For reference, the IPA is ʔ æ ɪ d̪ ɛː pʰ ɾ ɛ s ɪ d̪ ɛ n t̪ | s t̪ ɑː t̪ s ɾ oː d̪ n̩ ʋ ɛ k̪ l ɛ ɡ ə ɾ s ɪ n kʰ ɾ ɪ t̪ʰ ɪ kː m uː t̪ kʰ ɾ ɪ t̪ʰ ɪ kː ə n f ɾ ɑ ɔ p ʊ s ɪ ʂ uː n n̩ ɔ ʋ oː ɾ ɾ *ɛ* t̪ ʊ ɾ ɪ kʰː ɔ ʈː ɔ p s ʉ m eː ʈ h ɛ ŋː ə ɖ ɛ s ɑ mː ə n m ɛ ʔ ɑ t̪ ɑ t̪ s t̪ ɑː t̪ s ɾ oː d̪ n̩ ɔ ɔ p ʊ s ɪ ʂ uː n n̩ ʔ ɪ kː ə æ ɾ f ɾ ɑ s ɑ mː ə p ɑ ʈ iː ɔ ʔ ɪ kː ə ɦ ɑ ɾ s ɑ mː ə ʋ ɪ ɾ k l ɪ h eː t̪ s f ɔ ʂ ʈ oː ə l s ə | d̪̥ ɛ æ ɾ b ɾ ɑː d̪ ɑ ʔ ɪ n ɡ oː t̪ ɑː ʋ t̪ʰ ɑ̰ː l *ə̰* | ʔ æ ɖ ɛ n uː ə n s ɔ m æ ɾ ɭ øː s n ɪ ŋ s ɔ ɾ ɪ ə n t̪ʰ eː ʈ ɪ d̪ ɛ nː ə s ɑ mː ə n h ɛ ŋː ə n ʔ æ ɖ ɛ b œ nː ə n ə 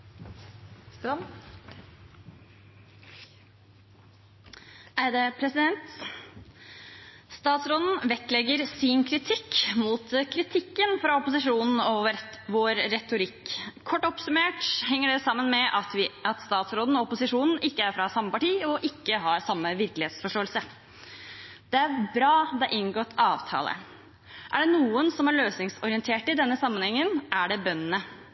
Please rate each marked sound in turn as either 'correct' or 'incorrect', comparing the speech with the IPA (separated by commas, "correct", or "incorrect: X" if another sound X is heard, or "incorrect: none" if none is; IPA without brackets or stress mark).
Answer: correct, correct